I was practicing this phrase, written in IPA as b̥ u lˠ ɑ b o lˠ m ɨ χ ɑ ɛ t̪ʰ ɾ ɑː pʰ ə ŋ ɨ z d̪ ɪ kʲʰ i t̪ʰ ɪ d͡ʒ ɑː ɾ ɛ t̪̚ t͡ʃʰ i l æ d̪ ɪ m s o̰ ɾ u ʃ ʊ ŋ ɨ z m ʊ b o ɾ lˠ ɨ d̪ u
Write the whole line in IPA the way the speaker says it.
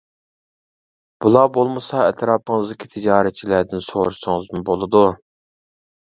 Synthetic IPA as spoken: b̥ u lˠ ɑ b o lˠ m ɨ s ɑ ɛ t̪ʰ ɾ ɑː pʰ ə ŋ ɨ z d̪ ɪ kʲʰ i t̪ʰ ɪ d͡ʒ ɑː ɾ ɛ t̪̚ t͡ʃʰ i l æ d̪ ɪ n s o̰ ɾ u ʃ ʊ ŋ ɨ z m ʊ b o lˠ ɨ d̪ u

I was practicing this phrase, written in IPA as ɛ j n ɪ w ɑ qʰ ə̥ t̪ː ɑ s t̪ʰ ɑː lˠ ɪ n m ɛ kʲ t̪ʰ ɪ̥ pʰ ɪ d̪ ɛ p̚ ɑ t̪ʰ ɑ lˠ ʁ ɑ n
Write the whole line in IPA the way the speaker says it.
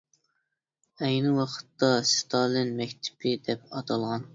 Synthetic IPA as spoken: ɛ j n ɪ w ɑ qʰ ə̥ t̪ː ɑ s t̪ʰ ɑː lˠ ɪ n m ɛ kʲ t̪ʰ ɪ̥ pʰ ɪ d̪ ɛ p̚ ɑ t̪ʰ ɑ lˠ ʁ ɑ n

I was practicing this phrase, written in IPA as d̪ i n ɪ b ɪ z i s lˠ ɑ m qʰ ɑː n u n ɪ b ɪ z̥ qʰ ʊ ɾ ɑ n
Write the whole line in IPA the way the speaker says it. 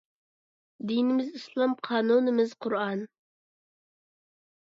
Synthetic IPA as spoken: d̪ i n ɪ m ɪ z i s lˠ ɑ m qʰ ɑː n u n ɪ m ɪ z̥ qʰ ʊ ɾ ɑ n

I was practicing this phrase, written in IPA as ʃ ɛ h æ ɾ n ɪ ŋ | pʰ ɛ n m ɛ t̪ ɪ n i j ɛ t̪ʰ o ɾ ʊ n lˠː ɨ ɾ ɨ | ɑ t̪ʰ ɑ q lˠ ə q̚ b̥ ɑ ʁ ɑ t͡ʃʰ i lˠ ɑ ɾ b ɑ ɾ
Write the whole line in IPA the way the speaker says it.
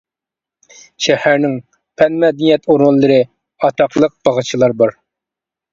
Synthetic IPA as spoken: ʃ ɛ h æ ɾ n ɪ ŋ | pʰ ɛ n m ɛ d̪ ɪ n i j ɛ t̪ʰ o ɾ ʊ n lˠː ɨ ɾ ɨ | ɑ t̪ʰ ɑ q lˠ ə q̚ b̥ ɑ ʁ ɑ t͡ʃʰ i lˠ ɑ ɾ b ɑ ɾ

